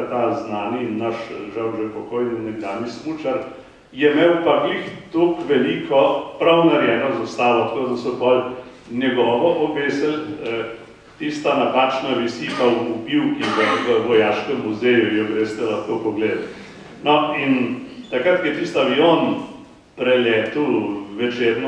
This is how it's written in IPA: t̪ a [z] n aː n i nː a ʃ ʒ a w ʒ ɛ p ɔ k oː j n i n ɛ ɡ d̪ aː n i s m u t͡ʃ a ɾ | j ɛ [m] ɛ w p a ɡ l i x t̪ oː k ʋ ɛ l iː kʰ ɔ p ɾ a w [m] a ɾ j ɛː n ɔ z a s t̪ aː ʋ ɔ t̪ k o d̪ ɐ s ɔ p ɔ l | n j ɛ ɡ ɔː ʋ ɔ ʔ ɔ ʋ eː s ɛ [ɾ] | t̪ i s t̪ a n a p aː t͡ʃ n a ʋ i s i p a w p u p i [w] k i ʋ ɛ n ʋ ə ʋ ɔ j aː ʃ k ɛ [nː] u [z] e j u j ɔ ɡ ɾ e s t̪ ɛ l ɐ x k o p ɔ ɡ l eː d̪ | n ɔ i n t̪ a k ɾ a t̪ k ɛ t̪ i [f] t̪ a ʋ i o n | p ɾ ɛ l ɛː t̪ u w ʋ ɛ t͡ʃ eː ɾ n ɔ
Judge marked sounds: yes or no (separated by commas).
yes, yes, no, no, yes, no, yes, no